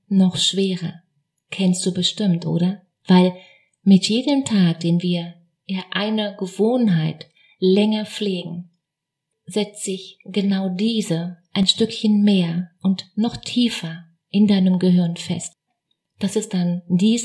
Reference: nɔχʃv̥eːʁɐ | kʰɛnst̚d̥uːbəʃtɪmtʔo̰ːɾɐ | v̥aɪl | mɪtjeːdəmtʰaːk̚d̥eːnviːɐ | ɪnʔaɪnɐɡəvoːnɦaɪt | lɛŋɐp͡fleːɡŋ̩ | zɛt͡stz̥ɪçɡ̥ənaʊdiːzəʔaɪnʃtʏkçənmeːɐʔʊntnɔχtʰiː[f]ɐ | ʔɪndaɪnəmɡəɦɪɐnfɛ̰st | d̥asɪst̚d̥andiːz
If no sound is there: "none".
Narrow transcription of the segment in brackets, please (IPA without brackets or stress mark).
f